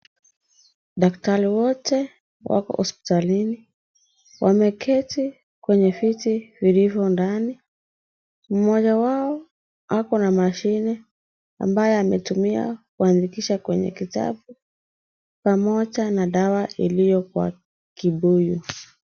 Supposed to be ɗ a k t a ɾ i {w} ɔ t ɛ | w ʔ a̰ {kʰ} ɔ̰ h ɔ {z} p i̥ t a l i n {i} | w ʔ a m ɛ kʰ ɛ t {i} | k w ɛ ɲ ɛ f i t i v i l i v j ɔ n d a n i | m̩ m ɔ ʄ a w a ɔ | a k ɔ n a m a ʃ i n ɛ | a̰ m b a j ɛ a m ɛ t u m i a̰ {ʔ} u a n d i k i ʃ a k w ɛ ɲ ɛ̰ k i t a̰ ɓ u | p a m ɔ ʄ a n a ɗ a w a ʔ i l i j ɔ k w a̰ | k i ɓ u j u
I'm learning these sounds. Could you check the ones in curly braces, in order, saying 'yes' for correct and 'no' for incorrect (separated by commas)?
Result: yes, no, no, yes, yes, no